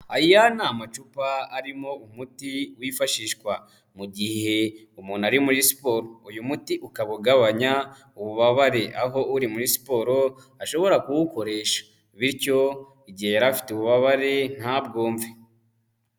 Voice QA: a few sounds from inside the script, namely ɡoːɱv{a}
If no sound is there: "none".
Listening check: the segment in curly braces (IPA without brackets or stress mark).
e